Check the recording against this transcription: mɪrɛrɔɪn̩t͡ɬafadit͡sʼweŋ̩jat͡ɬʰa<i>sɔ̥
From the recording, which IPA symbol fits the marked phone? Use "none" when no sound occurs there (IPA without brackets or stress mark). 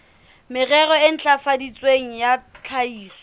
iː